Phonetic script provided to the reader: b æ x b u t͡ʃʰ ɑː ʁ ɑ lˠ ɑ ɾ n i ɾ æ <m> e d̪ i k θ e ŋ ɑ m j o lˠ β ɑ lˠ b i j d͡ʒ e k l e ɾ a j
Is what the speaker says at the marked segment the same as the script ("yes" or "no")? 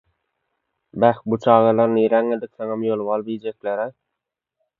no